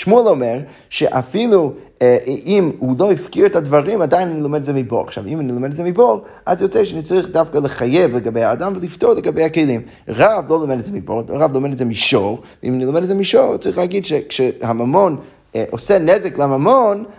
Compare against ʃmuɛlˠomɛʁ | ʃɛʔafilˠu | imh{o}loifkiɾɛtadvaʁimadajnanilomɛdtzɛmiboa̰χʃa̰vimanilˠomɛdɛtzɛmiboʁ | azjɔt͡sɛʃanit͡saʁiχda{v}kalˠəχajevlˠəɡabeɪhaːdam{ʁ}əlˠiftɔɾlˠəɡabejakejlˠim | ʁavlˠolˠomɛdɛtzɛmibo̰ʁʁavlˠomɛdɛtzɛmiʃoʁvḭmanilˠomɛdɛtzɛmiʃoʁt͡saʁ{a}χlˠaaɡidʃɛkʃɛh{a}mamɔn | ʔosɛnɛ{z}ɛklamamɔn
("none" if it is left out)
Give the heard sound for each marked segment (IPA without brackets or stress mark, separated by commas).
u, f, v, i, a, z